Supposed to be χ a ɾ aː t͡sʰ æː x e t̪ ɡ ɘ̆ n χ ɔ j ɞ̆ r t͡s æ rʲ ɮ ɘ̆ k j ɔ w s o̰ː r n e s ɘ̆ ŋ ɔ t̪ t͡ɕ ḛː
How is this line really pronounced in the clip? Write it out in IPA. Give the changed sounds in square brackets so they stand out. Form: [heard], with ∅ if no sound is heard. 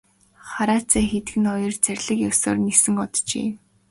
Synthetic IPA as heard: χ a ɾ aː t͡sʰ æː x e t̪ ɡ ɘ̆ n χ ɔ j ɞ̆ r t͡s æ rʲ ɮ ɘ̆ k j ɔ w s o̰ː r n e s ɘ̆ ŋ ɔ t̪ t͡ɕ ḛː